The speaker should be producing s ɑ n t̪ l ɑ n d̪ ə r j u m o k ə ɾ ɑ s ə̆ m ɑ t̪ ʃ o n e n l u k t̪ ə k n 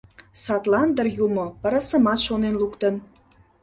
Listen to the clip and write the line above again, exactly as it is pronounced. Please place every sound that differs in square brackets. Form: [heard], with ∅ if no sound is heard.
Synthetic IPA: s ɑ [∅] t̪ l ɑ n d̪ ə r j u m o [p] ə ɾ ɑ s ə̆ m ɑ t̪ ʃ o n e n l u k t̪ ə [∅] n

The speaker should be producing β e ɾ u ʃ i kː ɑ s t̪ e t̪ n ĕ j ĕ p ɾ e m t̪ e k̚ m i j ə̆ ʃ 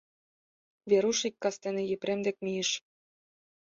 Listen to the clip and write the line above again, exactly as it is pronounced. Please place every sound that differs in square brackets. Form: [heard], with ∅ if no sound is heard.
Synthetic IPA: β e ɾ u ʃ i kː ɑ s t̪ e [∅] n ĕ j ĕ p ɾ e m [d̪] e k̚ m i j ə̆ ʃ

